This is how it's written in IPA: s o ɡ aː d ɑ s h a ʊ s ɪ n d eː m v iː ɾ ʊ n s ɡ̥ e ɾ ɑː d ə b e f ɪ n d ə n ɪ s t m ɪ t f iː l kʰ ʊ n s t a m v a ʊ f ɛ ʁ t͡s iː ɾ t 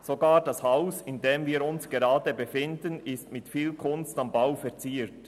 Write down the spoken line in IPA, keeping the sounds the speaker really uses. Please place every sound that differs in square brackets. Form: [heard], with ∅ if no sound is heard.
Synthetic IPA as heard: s o ɡ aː d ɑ s h a ʊ s ɪ n d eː m v iː ɾ ʊ n s ɡ̥ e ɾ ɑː d ə b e f ɪ n d ə n ɪ s t m ɪ t f iː l kʰ ʊ n s t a m [b] a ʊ f ɛ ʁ t͡s iː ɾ t